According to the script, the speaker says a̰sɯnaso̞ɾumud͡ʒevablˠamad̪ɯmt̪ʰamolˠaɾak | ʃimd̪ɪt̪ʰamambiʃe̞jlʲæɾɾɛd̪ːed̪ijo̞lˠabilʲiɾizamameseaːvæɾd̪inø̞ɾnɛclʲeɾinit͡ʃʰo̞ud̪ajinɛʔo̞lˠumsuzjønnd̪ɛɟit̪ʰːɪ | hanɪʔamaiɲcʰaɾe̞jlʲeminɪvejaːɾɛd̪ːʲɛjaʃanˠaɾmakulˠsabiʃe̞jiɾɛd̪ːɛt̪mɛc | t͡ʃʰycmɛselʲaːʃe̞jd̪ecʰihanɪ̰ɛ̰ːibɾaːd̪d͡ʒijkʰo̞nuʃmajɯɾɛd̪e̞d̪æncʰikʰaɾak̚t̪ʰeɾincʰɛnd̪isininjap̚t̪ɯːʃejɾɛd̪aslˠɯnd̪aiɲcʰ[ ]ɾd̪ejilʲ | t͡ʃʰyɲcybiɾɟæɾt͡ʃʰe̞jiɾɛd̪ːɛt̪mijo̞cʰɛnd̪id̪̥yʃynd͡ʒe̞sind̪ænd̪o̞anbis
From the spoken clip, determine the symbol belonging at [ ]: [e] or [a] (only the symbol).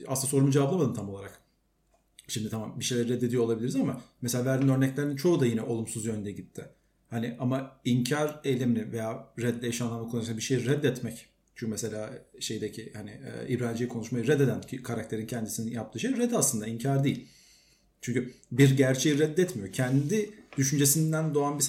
a